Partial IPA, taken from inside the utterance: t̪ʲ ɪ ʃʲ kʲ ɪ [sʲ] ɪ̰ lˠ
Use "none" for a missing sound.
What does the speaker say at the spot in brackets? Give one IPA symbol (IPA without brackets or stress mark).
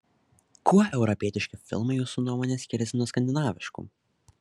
fʲ